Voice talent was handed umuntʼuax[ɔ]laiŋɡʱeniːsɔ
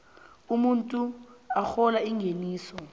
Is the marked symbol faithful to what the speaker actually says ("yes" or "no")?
yes